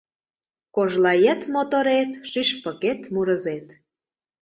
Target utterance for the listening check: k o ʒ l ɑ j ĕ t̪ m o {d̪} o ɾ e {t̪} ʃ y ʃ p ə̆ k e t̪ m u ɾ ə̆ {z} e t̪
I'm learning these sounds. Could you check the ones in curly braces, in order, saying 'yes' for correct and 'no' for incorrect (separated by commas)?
no, yes, yes